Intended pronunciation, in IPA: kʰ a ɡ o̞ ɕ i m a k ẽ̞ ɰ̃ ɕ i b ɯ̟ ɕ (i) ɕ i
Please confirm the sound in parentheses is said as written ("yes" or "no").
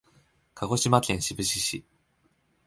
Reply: yes